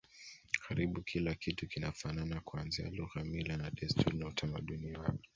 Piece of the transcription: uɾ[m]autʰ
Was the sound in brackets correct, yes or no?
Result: no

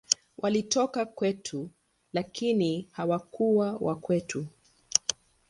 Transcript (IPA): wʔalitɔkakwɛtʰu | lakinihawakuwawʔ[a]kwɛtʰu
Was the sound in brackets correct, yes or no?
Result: yes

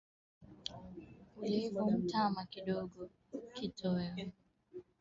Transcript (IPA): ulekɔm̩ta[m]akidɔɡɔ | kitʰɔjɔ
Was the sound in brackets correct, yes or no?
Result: yes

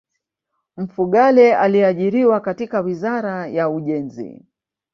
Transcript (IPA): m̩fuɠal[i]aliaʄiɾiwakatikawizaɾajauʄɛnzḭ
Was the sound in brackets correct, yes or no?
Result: no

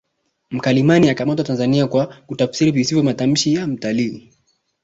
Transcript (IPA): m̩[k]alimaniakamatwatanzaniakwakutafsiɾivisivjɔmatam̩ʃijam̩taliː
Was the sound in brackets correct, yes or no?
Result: yes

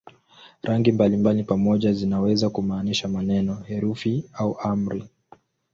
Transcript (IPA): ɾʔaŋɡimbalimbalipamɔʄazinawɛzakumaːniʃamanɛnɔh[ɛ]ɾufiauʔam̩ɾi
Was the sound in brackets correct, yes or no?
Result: yes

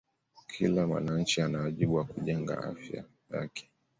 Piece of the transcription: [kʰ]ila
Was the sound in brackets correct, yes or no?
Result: yes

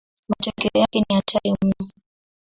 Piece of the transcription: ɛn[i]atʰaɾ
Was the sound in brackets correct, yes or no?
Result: yes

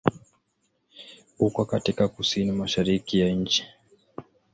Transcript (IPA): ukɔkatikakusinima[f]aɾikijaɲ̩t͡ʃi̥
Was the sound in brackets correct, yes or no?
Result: no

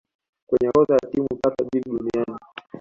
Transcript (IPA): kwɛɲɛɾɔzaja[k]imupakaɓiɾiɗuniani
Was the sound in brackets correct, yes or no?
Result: no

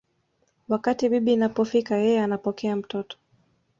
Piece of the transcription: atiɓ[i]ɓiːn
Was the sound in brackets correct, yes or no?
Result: yes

